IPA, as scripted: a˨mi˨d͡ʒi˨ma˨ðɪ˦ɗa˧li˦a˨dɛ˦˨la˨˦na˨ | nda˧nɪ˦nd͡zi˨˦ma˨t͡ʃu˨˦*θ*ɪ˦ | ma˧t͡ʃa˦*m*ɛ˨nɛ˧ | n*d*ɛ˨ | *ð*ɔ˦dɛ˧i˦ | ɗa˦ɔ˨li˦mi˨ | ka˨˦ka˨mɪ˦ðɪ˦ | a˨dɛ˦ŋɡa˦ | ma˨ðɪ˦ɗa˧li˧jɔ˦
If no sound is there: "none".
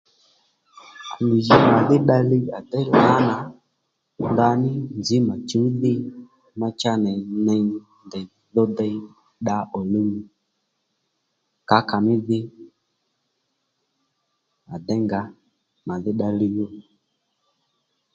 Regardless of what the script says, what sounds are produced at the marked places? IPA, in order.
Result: ð, n, d, ð

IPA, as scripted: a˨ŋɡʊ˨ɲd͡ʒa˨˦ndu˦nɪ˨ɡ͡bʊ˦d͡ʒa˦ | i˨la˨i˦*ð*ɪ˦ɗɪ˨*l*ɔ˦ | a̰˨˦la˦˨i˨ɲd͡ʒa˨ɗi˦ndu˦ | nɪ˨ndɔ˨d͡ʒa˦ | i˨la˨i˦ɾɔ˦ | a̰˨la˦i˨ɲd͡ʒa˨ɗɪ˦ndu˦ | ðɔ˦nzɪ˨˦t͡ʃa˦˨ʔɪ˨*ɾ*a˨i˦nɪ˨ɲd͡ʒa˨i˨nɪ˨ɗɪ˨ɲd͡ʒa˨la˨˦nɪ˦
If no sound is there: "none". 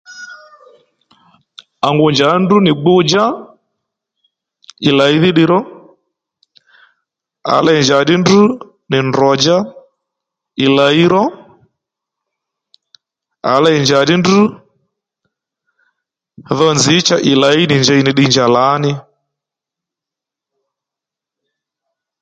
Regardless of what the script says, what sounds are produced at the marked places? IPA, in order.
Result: ð, ɾ, l

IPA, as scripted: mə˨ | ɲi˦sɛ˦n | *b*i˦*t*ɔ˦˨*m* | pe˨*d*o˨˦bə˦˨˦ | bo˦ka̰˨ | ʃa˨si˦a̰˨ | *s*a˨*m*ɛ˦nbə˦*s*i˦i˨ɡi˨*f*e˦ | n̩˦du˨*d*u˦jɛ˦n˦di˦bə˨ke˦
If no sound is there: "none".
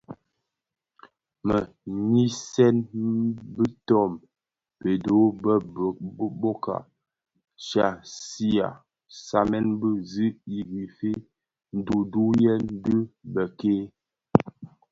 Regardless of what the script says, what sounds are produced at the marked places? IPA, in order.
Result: b, t, m, d, s, m, z, f, d

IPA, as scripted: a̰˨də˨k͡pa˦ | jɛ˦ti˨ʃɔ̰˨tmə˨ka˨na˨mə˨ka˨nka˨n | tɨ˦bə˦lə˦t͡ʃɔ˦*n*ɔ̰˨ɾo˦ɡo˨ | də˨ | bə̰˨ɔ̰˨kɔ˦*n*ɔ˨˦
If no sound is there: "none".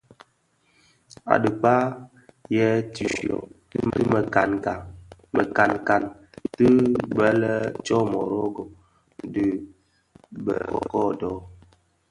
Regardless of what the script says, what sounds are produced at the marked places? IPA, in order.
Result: m, d

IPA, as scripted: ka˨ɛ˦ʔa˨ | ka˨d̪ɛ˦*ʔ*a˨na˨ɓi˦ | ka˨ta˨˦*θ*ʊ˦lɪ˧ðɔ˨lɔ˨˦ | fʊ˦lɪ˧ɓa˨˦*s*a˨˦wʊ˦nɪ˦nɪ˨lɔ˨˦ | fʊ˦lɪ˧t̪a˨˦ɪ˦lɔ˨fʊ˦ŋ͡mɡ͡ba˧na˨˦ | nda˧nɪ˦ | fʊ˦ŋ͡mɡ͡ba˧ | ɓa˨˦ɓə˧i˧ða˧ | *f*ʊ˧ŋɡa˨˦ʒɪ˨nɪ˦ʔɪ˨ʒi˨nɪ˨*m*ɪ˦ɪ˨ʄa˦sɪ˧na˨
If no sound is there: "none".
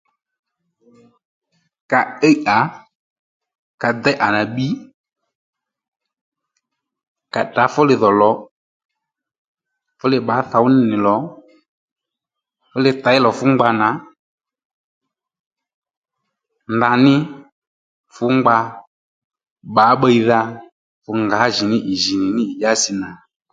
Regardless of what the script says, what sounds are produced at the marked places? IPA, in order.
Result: ʔ, f, θ, f, n

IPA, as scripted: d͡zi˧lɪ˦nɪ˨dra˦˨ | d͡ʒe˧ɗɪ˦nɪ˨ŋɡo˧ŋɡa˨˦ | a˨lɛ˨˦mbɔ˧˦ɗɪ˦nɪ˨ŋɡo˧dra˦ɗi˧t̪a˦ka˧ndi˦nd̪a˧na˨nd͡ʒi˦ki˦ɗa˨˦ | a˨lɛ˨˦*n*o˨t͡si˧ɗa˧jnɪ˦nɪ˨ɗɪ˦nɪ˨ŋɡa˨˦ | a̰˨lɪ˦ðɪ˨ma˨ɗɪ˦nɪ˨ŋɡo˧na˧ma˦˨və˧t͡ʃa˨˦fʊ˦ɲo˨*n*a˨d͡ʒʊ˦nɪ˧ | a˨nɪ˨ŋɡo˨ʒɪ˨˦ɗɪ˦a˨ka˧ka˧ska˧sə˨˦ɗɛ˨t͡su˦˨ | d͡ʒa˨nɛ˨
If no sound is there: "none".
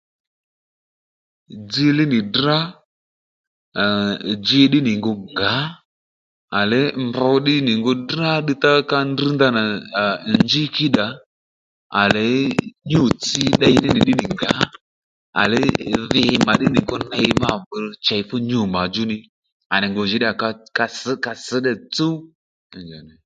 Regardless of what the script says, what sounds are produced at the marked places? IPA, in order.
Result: ɲ, m

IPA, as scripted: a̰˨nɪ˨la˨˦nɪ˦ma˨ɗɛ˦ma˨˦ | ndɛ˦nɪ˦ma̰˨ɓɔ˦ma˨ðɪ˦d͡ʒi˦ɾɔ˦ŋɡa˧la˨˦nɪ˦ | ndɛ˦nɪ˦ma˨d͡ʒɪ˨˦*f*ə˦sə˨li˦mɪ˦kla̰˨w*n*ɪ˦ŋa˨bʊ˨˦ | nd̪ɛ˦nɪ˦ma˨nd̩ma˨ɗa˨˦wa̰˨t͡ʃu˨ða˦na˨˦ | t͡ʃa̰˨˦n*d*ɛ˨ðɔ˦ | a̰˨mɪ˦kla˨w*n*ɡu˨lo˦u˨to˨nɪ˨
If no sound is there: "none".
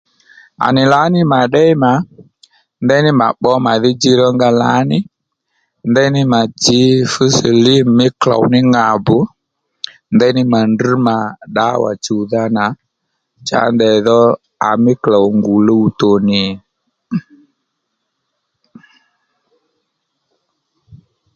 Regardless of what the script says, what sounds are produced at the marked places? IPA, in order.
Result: f, n, d, ŋ

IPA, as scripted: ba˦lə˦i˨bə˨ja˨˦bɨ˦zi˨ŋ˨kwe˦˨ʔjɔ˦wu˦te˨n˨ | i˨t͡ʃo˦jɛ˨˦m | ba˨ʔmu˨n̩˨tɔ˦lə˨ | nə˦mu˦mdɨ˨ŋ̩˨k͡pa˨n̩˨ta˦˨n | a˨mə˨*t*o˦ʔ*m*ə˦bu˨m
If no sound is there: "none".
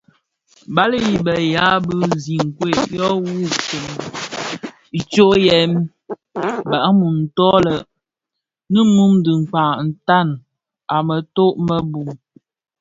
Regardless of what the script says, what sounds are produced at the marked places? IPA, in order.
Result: t, m

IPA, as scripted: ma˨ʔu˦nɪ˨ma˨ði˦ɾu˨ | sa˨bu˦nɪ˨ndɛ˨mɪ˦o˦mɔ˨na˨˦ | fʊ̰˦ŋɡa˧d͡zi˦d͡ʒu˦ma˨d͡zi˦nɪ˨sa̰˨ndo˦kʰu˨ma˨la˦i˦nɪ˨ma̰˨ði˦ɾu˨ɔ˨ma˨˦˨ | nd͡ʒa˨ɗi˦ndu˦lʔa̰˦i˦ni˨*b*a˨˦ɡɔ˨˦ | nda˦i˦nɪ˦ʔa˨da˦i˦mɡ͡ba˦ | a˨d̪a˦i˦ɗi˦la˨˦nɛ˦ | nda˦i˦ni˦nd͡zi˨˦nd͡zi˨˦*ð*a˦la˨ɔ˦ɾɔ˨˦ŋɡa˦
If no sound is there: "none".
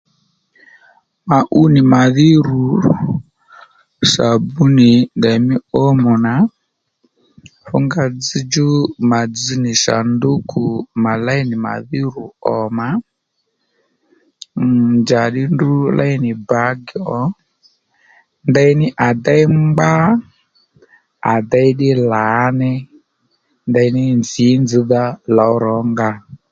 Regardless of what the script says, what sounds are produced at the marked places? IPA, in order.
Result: b, ð

